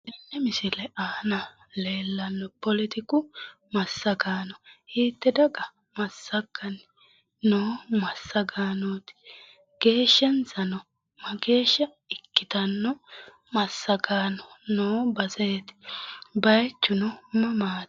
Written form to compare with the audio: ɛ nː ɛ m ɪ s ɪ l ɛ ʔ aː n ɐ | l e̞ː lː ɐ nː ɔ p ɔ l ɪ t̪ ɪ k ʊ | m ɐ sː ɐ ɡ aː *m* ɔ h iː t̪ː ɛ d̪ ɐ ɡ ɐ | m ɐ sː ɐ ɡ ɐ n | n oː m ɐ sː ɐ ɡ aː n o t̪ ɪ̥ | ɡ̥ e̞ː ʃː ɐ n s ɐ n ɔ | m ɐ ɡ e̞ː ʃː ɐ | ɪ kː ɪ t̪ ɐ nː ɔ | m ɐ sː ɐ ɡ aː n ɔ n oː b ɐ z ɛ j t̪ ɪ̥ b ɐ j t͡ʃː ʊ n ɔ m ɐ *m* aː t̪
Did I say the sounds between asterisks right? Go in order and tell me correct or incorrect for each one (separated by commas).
incorrect, correct